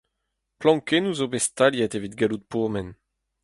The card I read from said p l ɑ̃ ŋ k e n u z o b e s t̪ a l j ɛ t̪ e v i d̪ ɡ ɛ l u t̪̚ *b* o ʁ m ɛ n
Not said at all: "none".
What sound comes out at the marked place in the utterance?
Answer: p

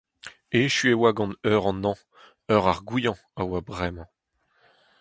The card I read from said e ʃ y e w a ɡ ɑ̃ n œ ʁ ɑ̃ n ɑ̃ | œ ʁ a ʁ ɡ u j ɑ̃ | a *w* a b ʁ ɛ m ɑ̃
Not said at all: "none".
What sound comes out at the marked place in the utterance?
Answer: w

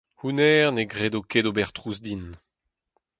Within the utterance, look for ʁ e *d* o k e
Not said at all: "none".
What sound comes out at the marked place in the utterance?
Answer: d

